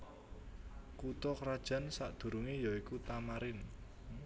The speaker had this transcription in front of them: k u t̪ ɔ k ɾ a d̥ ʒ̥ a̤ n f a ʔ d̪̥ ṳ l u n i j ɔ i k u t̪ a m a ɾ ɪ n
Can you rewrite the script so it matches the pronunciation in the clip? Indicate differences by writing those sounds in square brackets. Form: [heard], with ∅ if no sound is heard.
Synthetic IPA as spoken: k u t̪ ɔ k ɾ a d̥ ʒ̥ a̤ n [s] a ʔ d̪̥ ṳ [ɾ] u [ŋ] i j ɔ i k u t̪ a m a ɾ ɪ n